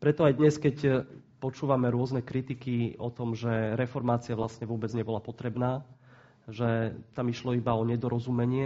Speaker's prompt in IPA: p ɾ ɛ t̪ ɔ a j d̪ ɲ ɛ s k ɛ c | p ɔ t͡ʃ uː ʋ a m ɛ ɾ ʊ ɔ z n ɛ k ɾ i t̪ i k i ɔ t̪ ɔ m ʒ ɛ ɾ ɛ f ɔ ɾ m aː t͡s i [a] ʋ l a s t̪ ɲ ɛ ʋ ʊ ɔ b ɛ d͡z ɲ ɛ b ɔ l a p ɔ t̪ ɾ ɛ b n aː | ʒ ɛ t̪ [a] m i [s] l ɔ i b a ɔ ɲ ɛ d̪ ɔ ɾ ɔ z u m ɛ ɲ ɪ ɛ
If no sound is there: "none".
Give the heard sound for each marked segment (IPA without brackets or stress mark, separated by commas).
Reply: a, a, ʃ